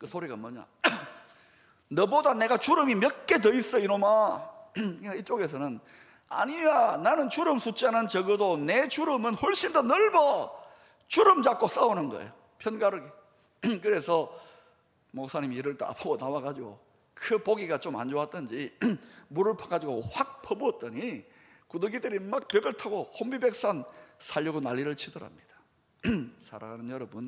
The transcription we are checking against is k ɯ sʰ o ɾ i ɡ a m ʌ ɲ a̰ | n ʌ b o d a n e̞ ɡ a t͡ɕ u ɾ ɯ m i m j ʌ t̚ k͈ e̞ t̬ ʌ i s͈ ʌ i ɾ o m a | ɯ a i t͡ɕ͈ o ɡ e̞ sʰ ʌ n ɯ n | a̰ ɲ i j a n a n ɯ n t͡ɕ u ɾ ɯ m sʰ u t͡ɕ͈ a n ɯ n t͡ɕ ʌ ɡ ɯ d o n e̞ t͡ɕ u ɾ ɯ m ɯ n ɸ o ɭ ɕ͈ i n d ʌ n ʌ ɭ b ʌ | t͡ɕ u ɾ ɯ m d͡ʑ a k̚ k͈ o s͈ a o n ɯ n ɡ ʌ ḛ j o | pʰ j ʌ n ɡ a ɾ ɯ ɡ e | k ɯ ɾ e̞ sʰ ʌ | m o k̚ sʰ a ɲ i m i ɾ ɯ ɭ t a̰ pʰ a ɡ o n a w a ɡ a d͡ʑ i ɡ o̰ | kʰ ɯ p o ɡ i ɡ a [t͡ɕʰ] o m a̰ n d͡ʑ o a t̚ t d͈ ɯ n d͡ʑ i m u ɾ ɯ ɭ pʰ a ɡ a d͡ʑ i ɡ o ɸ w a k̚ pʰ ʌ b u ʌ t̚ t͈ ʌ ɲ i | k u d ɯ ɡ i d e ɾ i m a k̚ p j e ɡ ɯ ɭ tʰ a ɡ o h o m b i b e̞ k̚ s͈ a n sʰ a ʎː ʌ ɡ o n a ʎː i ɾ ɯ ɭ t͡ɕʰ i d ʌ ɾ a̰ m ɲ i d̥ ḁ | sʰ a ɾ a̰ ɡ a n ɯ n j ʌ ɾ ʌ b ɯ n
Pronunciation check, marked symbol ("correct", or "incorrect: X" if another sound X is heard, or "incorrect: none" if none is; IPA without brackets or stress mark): incorrect: t͡ɕ